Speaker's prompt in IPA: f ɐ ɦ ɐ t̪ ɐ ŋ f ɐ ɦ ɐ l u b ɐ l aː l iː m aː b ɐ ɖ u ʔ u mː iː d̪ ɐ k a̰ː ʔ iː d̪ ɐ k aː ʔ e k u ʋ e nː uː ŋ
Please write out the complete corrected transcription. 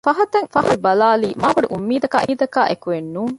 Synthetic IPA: f ɐ ɦ ɐ t̪ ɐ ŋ f ɐ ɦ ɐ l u b ɐ l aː l iː m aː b ɐ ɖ u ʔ u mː iː d̪ ɐ k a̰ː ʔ iː d̪ ɐ k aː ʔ e k u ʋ e nː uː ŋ